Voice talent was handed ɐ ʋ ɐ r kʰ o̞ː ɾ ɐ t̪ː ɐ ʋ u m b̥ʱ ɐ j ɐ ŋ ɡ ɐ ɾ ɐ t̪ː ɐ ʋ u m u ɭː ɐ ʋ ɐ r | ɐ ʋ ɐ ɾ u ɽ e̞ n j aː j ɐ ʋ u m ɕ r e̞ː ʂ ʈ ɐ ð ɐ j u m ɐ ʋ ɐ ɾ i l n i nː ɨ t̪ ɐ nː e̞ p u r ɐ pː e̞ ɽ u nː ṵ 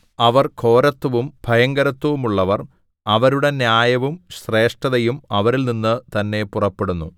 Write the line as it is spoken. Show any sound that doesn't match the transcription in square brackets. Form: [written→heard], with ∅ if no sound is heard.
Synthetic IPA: ɐ ʋ ɐ r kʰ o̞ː ɾ ɐ t̪ː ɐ ʋ u m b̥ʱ ɐ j ɐ ŋ ɡ ɐ ɾ ɐ t̪ː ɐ ʋ u m u ɭː ɐ ʋ ɐ r | ɐ ʋ ɐ ɾ u ɽ e̞ n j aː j ɐ ʋ u m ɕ r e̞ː ʂ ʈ ɐ ð ɐ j u m ɐ ʋ ɐ ɾ i l n i nː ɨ t̪ ɐ nː e̞ p u r ɐ pː e̞ ɽ u nː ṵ